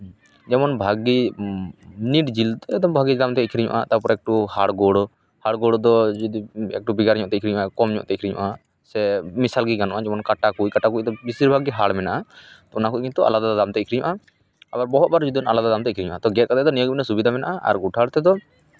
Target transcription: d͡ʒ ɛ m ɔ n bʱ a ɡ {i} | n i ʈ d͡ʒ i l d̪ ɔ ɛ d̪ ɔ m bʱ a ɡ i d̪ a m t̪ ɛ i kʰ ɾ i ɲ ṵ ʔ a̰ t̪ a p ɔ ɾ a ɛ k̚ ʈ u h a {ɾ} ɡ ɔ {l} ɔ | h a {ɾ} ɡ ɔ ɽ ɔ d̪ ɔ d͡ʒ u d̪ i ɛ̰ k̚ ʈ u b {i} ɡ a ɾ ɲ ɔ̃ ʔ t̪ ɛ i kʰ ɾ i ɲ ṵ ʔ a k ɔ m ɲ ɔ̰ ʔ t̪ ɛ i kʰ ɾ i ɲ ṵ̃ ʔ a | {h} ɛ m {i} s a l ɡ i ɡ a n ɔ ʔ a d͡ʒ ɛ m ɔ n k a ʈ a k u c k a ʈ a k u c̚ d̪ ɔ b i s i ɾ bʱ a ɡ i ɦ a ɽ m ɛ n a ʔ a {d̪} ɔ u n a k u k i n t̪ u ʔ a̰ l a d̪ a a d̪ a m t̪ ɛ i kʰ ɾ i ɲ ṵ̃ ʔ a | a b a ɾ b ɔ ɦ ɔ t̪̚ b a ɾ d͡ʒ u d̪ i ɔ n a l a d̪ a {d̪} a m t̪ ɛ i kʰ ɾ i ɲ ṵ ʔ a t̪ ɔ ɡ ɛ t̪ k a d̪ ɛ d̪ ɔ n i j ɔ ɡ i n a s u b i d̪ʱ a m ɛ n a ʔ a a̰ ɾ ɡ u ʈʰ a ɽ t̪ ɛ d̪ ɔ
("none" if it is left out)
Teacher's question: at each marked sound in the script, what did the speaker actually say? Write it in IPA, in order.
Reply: i, ɽ, ɽ, ɽ, i, s, i, t̪, d̪

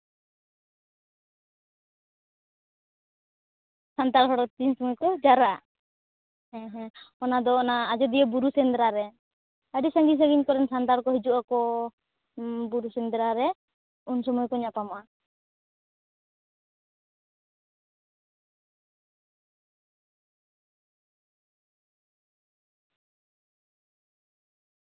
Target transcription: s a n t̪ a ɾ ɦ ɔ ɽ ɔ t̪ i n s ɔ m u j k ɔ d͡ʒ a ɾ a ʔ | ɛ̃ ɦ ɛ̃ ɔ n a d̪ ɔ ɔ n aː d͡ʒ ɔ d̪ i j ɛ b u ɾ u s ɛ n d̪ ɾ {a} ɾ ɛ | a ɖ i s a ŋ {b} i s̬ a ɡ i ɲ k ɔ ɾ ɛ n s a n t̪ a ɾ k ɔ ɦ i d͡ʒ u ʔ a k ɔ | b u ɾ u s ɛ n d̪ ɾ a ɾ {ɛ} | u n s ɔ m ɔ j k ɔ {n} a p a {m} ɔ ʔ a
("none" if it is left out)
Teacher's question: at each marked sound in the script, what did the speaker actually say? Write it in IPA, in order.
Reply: a, ɡ, ɛ, ɲ, m

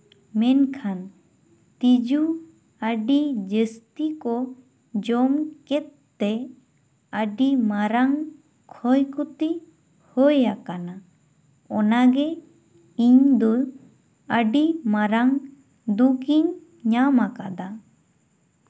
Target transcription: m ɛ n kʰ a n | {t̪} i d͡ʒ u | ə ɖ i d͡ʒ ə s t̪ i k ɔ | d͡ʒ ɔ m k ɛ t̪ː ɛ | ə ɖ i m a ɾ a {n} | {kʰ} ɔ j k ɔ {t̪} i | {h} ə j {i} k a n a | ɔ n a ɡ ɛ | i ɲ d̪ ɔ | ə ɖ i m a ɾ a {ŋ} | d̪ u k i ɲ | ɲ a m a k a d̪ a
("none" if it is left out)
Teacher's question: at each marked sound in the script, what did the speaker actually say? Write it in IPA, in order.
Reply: t̪, ŋ, kʰ, t̪, h, a, ŋ

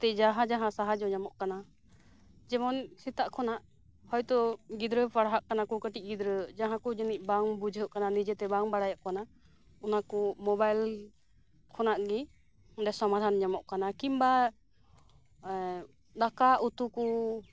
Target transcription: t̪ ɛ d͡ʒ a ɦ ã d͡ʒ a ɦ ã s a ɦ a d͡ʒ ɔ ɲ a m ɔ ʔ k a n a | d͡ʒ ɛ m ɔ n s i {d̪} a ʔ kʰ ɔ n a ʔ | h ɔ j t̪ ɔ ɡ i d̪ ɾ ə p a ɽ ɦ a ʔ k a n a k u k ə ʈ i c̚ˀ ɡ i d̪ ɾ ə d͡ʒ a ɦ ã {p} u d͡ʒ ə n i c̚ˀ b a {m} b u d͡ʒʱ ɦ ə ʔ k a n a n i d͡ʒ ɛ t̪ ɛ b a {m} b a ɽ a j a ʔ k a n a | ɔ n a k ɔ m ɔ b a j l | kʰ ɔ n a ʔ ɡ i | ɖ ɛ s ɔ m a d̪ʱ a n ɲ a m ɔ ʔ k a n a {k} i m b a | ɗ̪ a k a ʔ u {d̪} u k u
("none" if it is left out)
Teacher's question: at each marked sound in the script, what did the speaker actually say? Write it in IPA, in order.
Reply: t̪, k, ŋ, ŋ, k, t̪

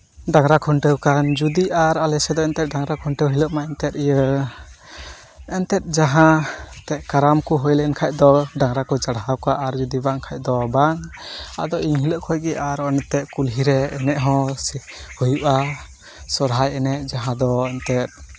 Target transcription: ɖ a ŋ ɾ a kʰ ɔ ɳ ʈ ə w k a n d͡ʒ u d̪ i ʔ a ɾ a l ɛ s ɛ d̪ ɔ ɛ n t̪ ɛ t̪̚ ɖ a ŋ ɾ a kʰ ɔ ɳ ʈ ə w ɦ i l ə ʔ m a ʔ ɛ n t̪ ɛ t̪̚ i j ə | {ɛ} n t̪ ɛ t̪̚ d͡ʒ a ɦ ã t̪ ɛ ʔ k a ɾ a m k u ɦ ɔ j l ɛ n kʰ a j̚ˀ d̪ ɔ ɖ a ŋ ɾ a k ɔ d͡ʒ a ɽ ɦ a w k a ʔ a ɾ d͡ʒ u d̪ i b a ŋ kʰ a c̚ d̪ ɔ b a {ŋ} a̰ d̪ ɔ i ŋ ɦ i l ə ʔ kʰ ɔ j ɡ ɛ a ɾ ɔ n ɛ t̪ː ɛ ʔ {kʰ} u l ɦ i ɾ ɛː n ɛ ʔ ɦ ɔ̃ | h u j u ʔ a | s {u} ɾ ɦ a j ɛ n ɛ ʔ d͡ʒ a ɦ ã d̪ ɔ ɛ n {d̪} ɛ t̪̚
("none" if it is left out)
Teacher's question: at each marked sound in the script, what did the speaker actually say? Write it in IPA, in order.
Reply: ɛ, ŋ, k, ɔ, t̪

